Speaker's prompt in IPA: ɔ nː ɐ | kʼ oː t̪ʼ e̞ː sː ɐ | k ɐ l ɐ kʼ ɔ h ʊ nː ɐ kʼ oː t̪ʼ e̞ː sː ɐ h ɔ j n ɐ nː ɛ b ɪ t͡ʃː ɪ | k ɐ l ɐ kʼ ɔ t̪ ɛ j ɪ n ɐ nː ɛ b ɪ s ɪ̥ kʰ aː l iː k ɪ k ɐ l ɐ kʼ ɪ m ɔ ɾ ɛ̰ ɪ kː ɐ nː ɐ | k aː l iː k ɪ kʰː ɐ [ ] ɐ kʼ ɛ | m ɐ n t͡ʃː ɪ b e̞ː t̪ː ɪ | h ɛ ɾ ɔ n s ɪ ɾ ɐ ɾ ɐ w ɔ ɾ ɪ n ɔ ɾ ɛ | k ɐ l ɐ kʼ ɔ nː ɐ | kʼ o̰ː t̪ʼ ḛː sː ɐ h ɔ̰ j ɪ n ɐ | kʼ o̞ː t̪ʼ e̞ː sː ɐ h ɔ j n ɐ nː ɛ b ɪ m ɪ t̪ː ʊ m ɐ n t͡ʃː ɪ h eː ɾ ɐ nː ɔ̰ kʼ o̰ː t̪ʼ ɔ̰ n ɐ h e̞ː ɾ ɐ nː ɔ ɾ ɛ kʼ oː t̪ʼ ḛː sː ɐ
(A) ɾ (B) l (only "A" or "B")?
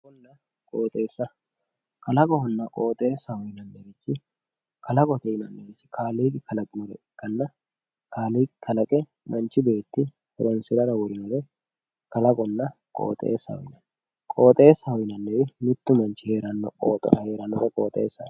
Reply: B